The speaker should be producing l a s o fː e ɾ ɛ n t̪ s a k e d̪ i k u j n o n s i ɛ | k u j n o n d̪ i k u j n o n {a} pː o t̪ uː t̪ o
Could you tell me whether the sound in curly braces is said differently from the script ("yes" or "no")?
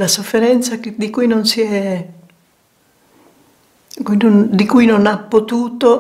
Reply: no